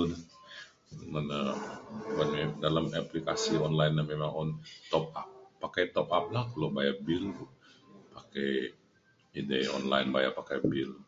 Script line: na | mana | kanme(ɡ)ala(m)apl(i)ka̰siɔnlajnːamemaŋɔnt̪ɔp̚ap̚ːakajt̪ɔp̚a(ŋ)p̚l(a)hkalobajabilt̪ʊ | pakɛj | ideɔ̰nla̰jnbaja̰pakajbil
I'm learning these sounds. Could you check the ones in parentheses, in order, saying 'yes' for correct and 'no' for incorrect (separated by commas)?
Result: no, yes, yes, no, yes